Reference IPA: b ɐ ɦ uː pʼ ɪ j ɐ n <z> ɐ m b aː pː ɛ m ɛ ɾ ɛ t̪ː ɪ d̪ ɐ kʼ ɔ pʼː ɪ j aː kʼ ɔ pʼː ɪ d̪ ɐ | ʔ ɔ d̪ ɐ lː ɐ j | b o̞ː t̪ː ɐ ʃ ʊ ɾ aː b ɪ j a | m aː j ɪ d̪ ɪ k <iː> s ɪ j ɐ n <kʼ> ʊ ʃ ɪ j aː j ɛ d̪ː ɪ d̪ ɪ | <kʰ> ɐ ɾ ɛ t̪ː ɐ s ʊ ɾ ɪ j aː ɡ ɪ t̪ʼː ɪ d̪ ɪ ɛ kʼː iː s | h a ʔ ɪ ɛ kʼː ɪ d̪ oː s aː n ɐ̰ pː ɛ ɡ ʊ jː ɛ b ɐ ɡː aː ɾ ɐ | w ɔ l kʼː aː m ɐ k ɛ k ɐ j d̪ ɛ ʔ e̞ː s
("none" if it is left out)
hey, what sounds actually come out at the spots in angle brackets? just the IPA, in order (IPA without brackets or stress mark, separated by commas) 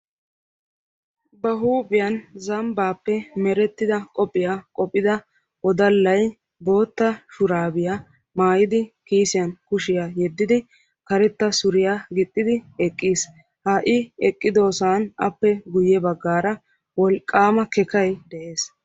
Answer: z, iː, k, k